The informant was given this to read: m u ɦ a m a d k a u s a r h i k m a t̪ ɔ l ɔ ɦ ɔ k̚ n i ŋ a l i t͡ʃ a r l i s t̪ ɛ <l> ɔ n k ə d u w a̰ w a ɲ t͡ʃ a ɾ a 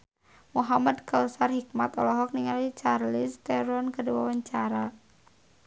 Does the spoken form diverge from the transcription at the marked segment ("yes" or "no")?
yes